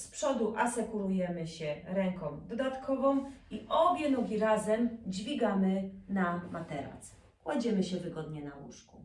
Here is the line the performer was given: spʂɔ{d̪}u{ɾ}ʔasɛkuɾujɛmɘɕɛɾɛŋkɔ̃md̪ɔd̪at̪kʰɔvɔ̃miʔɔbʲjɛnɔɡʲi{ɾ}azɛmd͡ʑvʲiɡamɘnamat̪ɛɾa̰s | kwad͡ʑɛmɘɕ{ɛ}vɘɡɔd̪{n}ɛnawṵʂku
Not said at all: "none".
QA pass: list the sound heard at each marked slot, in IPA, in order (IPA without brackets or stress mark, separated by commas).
d̪, none, ɾ, ɛ, ɲ